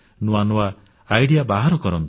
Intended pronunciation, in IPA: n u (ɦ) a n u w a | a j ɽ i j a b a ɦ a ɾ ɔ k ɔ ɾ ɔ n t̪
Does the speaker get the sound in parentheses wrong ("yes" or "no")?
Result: yes